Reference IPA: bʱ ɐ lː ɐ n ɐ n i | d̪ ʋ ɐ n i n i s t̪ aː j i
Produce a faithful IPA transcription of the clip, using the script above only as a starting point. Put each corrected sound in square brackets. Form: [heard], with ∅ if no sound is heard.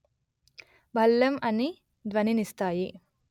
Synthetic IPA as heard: bʱ ɐ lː ɐ [m] ɐ n i | d̪ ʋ ɐ n i n i s t̪ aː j i